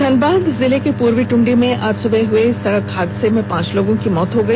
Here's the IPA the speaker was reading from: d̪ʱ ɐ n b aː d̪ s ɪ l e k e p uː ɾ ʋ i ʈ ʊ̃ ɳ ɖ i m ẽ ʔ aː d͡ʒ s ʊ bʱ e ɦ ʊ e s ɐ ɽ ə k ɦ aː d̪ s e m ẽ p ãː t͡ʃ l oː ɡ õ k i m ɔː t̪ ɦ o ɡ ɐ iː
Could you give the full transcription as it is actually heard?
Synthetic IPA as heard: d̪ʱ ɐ n b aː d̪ z ɪ l e k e p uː ɾ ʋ i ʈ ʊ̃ ɳ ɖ i m ẽ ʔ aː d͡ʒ s ʊ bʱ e ɦ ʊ e s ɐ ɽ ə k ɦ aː d̪ s e m ẽ p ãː t͡ʃ l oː ɡ õ k i m ɔː t̪ ɦ o ɡ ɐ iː